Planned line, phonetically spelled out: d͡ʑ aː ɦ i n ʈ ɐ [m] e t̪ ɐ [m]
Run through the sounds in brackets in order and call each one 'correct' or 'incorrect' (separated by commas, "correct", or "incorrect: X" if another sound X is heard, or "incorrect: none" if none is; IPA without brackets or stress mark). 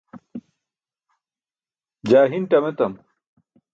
correct, correct